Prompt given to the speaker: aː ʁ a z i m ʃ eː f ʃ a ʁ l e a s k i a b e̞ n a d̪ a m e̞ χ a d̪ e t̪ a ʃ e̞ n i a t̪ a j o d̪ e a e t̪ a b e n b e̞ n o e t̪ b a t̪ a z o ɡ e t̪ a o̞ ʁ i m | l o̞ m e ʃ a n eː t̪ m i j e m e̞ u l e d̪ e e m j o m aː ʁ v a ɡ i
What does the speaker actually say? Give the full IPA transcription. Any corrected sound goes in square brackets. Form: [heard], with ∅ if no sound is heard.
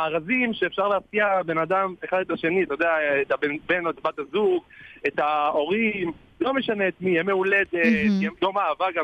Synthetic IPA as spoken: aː ʁ a z i m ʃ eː f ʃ a ʁ l e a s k i a b e̞ n a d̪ a m e̞ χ a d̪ e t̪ a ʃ e̞ n i a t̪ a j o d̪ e a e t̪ a b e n b e̞ n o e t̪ b a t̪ a z [u] ɡ e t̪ a o̞ ʁ i m | l o̞ m e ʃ a n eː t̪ m i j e m e̞ u l e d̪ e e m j o m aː [∅] v a ɡ [a]